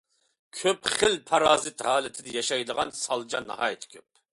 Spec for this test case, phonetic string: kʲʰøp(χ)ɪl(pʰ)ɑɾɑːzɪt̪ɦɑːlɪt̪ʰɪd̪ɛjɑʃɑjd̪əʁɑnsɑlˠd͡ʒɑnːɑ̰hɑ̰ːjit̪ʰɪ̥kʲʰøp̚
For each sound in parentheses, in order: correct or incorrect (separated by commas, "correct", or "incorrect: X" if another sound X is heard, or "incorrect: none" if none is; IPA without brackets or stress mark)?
correct, correct